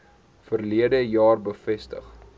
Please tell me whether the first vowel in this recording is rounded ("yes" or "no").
no